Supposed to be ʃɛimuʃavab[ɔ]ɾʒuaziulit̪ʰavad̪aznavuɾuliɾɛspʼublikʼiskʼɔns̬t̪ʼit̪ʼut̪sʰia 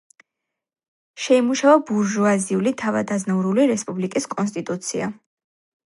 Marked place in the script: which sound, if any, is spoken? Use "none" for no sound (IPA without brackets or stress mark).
u